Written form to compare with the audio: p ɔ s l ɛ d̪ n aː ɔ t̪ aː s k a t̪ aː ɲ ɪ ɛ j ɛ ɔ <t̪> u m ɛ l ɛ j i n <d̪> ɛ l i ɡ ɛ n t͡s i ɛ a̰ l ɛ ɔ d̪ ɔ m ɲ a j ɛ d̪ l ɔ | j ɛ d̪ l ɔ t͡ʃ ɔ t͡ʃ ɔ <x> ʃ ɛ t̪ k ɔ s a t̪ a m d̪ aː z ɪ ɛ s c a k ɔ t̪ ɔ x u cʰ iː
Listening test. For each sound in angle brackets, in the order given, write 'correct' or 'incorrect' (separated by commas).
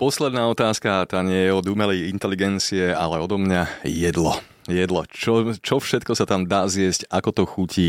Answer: incorrect, incorrect, incorrect